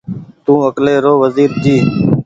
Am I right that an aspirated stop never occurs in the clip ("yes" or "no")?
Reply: yes